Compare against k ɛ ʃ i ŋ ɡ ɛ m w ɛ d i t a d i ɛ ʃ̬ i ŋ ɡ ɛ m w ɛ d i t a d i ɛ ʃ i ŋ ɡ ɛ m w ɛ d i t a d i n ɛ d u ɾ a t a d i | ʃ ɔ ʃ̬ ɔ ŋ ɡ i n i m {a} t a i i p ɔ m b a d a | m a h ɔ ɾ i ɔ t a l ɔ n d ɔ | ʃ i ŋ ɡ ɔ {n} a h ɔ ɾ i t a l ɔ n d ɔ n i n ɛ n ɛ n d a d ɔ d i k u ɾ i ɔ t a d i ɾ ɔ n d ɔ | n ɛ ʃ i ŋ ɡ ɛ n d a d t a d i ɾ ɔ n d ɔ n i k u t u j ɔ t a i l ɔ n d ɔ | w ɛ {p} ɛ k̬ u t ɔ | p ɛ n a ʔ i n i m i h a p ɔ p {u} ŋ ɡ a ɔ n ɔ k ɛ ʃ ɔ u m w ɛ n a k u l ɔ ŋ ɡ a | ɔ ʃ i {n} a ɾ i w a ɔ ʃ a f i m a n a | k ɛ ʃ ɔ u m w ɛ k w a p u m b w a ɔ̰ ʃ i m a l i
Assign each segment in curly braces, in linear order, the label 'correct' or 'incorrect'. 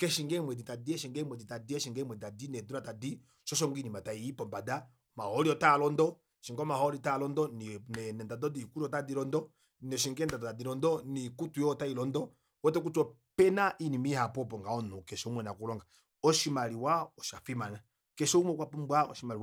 correct, incorrect: m, incorrect: t, incorrect: ɔ, incorrect: m

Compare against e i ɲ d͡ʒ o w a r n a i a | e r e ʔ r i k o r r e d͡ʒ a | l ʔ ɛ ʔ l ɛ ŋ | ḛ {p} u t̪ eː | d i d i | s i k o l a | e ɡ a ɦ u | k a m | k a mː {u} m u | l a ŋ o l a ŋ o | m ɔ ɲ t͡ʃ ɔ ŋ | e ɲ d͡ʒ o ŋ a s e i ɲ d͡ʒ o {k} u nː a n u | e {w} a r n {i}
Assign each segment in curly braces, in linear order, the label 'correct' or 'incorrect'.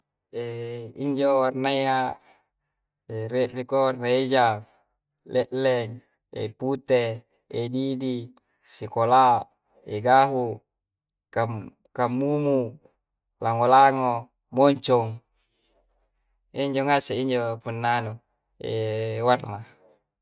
correct, correct, incorrect: p, correct, incorrect: a

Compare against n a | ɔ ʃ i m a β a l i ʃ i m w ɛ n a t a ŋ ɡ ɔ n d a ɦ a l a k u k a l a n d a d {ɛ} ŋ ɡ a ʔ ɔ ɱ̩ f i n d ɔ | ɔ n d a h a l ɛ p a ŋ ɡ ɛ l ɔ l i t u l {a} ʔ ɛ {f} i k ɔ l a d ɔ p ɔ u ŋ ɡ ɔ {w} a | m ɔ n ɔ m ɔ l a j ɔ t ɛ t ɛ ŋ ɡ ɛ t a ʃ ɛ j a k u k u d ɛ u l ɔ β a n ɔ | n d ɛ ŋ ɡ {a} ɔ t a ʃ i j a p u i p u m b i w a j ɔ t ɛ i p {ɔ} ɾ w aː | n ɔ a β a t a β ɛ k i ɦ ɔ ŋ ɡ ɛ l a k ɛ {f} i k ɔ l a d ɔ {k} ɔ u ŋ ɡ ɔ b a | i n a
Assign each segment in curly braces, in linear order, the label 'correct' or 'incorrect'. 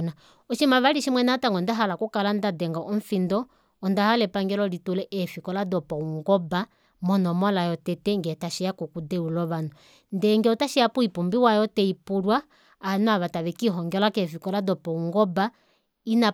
correct, incorrect: ɛ, correct, incorrect: b, incorrect: ɛ, incorrect: u, correct, incorrect: p

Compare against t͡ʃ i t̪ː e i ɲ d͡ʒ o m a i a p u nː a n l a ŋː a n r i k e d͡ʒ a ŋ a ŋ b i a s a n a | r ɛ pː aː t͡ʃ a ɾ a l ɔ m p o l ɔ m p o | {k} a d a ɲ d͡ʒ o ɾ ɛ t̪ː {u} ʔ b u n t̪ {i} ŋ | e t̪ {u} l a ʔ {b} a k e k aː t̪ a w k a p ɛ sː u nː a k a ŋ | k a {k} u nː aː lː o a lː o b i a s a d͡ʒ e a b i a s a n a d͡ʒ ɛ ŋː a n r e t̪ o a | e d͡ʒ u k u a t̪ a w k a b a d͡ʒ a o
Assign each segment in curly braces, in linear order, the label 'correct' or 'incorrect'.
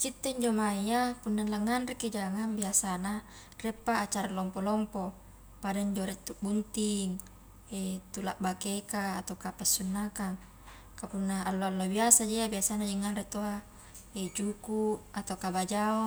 incorrect: p, correct, correct, correct, correct, incorrect: p

